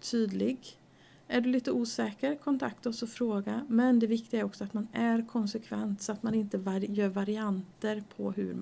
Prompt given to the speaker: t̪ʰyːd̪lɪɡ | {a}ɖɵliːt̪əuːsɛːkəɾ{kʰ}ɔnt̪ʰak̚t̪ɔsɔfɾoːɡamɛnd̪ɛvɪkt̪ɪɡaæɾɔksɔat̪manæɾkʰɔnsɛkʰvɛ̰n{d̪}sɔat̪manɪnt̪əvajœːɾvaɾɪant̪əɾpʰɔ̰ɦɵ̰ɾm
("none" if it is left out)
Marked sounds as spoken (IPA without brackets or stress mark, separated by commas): æ, kʰ, t̪